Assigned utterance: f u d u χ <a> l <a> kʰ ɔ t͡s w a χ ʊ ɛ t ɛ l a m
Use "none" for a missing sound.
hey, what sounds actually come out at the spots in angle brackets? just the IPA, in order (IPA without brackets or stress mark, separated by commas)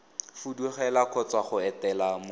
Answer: ɛ, a